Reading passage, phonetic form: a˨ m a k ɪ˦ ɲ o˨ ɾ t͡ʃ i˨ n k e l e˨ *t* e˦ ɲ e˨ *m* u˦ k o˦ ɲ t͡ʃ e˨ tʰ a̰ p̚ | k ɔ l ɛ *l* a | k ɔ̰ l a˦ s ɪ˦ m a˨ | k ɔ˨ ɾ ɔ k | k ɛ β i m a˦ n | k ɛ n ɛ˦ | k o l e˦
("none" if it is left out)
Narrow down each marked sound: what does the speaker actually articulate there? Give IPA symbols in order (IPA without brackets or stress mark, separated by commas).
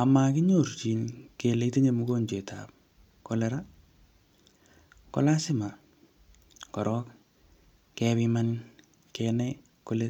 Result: t, m, ɾ